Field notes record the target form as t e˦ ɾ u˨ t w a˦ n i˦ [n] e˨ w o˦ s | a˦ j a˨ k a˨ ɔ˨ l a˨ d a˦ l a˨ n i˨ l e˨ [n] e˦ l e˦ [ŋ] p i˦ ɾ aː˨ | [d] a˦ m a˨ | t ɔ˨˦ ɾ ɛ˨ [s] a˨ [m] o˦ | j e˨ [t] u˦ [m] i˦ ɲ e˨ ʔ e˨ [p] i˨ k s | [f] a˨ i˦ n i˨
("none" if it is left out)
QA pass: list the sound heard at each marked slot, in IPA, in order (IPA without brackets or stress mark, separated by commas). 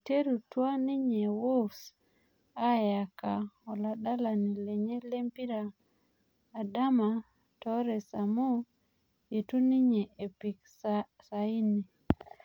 ɲ, ɲ, m, d, s, m, t, n, p, s